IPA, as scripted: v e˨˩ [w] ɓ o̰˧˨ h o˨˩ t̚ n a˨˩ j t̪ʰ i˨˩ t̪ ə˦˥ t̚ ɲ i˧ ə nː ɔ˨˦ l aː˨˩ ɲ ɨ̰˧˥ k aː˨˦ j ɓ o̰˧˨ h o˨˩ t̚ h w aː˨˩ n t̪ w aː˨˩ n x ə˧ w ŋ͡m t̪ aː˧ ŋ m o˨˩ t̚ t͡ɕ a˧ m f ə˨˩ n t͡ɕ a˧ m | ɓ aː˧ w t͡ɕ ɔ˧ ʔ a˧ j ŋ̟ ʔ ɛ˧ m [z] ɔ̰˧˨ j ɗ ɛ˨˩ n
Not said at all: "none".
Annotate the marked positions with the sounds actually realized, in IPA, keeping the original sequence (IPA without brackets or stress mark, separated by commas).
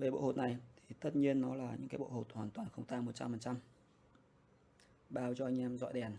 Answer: none, z